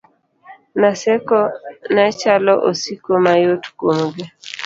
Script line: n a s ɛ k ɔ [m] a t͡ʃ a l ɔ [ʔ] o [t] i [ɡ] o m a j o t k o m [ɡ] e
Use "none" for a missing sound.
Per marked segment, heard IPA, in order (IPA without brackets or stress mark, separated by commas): n, ʔ, s, k, ɡ